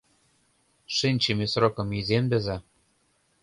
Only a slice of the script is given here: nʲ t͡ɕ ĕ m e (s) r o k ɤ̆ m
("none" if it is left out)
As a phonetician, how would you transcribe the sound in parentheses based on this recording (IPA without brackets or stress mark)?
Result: s